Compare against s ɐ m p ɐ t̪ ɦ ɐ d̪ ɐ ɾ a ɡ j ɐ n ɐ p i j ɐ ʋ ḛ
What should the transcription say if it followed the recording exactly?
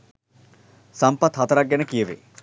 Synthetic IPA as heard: s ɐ m p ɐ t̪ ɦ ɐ t̪ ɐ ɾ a ɡ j ɐ n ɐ k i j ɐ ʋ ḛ